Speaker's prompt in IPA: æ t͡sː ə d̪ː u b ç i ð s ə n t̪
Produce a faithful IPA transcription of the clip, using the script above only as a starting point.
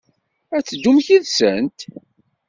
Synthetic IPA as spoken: æ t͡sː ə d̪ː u m ç i ð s ə n t̪